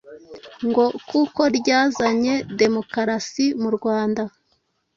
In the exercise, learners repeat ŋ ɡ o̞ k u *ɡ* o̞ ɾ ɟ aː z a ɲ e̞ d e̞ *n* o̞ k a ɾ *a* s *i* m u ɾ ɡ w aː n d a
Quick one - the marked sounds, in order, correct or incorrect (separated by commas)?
incorrect, incorrect, correct, correct